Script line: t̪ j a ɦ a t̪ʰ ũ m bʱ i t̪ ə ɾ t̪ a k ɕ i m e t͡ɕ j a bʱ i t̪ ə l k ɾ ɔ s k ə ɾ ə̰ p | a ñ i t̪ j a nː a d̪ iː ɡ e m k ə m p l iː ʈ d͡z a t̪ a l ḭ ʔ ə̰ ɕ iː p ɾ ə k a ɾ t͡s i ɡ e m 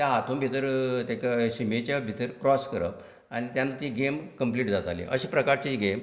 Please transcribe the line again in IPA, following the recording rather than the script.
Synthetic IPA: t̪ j a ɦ a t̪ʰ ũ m bʱ i t̪ ə ɾ t̪ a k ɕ i m e t͡ɕ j a bʱ i t̪ ə ɾ k ɾ ɔ s k ə ɾ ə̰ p | a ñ i t̪ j a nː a t̪ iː ɡ e m k ə m p l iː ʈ d͡z a t̪ a l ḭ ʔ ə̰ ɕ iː p ɾ ə k a ɾ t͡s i ɡ e m